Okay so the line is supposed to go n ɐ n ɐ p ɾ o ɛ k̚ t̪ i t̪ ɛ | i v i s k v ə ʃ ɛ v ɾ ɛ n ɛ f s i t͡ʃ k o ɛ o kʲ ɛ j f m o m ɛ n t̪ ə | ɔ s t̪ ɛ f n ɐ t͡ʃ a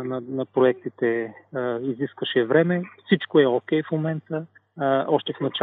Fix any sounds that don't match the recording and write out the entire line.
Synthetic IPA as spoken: n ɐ n ɐ p ɾ o ɛ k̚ t̪ i t̪ ɛ | i z i s k v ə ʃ ɛ v ɾ ɛ m ɛ f s i t͡ʃ k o ɛ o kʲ ɛ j f m o m ɛ n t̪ ə | ɔ ʃ t̪ ɛ f n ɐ t͡ʃ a